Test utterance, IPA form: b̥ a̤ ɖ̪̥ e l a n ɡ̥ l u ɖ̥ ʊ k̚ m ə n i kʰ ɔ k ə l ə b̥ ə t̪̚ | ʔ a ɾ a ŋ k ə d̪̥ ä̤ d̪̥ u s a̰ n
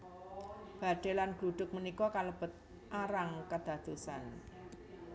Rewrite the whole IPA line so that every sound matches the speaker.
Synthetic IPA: b̥ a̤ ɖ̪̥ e l a n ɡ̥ l u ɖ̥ ʊ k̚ m ə n i k ɔ k a l ə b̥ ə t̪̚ | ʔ a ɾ a ŋ k ə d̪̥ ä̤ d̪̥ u s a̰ n

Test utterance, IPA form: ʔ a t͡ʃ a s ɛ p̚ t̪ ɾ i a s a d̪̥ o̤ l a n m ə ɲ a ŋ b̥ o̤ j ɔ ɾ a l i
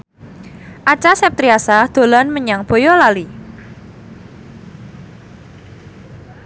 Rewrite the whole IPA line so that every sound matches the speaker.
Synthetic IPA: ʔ a t͡ʃ a s ɛ p̚ t̪ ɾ i a s a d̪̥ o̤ l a n m ə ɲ a ŋ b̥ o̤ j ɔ l a l i

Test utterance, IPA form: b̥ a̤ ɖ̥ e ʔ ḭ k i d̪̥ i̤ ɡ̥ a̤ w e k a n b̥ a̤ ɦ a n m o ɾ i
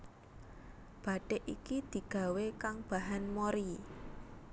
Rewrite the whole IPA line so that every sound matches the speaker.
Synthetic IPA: b̥ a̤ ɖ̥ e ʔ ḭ k i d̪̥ i̤ ɡ̥ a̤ w e k a ŋ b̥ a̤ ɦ a n m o ɾ i

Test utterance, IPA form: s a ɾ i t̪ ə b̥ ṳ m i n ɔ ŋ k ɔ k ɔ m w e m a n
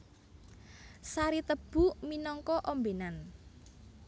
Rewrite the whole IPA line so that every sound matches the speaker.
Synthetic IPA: s a ɾ i t̪ ə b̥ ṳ m i n ɔ ŋ k ɔ ʔ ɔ m b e n a n

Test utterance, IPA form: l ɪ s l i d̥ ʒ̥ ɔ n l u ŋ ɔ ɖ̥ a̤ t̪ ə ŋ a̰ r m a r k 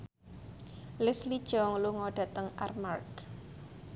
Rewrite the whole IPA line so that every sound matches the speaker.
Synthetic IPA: l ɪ s l i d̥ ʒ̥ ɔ ŋ l u ŋ ɔ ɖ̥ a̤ t̪ ə ŋ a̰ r m a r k

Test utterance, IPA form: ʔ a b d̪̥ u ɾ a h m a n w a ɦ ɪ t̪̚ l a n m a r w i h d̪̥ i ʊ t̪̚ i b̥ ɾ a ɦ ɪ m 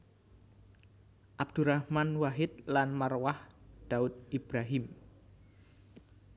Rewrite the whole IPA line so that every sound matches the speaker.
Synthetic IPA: ʔ a b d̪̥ u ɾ a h m a n w a ɦ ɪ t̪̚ l a n m a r w a h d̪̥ a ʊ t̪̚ i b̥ ɾ a ɦ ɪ m

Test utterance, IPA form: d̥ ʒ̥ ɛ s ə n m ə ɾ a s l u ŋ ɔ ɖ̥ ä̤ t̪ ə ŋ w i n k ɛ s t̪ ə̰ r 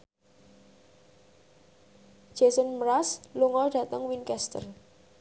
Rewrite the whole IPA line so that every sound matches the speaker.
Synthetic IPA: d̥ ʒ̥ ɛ s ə n m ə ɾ a s l u ŋ ɔ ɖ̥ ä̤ t̪ ə ŋ w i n k ɛ s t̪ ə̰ r

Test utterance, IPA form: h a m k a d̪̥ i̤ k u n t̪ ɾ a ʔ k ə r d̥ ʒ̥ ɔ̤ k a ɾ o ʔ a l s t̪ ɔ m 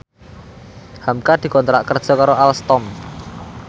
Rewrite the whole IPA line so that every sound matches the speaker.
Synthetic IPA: h a m k a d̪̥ i̤ k ɔ n t̪ ɾ a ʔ k ə r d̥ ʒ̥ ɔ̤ k a ɾ o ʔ a l s t̪ ɔ m

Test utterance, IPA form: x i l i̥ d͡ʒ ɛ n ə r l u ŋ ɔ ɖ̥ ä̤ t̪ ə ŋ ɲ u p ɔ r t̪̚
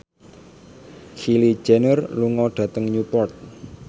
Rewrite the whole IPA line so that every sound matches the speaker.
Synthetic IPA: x i l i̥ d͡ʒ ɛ n ə r l u ŋ ɔ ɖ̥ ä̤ t̪ ə ŋ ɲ u p ɔ r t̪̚

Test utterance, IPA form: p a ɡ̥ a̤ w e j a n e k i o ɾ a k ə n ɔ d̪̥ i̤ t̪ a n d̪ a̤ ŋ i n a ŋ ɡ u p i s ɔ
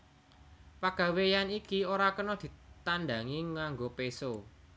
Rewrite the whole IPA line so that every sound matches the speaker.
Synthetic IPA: p a ɡ̥ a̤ w e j a n i k i o ɾ a k ə n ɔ d̪̥ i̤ t̪ a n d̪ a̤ ŋ i ŋ a ŋ ɡ o p e s o

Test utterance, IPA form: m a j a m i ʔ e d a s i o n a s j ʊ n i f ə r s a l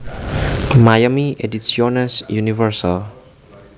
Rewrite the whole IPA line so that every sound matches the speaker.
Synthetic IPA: m a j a m i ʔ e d i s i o n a s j u n i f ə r s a l

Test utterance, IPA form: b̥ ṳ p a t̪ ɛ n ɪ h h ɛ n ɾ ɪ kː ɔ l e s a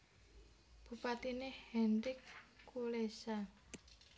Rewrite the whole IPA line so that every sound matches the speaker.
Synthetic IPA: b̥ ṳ p a t̪ i n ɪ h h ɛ n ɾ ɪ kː u l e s a

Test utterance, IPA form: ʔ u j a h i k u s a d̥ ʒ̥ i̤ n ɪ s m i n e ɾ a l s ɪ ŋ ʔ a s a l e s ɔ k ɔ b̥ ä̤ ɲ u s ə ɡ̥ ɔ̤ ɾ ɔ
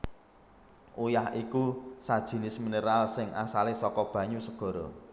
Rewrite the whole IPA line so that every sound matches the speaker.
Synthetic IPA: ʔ u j a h i k u s a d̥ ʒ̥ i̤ n ɪ s m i n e ɾ a l s ɪ ŋ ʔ a s a l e s ɔ k ɔ b̥ ä̤ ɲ u s ə ɡ̥ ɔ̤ ɾ ɔ

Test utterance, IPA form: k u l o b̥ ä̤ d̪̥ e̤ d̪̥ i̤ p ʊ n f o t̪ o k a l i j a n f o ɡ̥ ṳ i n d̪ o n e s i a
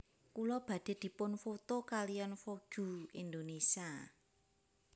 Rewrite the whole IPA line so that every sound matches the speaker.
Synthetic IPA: k u l ɔ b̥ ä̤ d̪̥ e̤ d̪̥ i̤ p ʊ n f o t̪ o k a l i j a n f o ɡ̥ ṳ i n d̪ o n e s i a

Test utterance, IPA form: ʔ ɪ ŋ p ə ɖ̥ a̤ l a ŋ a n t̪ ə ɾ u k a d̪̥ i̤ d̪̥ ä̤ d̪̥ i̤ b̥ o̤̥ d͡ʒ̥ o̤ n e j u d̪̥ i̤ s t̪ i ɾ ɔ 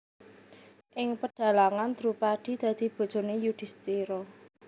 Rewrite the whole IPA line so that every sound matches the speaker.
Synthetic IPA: ʔ ɪ ŋ p ə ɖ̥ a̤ l a ŋ a n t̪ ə ɾ u p a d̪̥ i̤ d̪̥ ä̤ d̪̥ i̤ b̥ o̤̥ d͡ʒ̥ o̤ n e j u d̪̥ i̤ s t̪ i ɾ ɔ

